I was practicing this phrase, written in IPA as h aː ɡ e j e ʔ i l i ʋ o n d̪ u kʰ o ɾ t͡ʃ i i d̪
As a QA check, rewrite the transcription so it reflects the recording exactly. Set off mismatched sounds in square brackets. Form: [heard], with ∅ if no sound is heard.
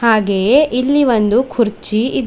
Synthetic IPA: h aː ɡ e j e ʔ i [lː] i ʋ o n d̪ u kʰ [u] ɾ t͡ʃ i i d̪